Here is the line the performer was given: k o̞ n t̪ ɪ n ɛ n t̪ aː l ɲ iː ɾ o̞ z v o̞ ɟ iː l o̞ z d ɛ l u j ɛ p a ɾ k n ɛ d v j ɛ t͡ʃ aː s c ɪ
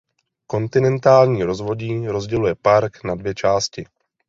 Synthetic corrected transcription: k o̞ n t̪ ɪ n ɛ n t̪ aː l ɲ iː ɾ o̞ z v o̞ ɟ iː ɾ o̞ z ɟ ɛ l u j ɛ p a ɾ k n a d v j ɛ t͡ʃ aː s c ɪ

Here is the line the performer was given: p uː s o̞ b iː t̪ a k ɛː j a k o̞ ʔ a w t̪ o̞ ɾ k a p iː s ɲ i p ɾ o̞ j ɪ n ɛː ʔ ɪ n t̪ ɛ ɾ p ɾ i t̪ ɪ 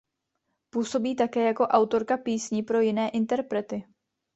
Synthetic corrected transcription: p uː s o̞ b iː t̪ a k ɛː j a k o̞ ʔ a w t̪ o̞ ɾ k a p iː s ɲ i p ɾ o̞ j ɪ n ɛː ʔ ɪ n t̪ ɛ ɾ p ɾ ɛ t̪ ɪ

